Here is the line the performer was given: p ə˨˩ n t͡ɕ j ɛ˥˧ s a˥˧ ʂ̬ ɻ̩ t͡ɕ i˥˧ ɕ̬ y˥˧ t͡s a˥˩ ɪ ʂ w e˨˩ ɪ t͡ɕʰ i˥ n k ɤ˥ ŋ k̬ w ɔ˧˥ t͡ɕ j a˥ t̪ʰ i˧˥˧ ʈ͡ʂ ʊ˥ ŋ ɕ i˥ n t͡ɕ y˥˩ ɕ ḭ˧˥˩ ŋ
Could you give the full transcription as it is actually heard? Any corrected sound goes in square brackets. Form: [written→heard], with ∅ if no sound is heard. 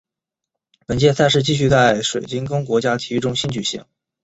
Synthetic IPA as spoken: p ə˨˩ n t͡ɕ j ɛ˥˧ s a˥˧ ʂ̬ ɻ̩ t͡ɕ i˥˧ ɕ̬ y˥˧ t͡s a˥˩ ɪ ʂ w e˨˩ ɪ [t͡ɕʰ→t͡ɕ] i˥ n k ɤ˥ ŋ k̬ w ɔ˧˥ t͡ɕ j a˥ t̪ʰ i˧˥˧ ʈ͡ʂ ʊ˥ ŋ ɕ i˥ n t͡ɕ [y˥˩→y˨˩] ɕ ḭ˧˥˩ ŋ